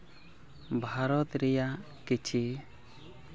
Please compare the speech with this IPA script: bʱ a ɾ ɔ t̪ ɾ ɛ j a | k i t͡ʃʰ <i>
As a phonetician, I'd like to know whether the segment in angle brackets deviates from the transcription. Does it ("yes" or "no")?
no